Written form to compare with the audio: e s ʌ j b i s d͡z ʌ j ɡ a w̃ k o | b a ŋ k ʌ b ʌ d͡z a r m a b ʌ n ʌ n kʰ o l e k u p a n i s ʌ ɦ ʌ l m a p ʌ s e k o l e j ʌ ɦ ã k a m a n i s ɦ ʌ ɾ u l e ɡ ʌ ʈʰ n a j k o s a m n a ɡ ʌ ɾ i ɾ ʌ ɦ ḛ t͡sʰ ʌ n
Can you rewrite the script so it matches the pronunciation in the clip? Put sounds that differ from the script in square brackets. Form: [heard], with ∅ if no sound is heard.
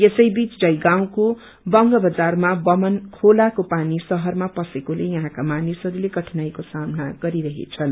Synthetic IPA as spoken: e s ʌ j b i [t͡s] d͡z ʌ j ɡ a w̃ k o | b [ʌ] ŋ [ɡ] ʌ b ʌ d͡z a r m a b ʌ [m] ʌ n kʰ o l [a] k [o] p a n i s ʌ ɦ ʌ [r] m a p ʌ s e k o l e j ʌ ɦ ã k a m a n i s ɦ ʌ ɾ u l e ɡ ʌ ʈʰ n a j k o s a m n a ɡ ʌ ɾ i ɾ ʌ ɦ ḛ t͡sʰ ʌ n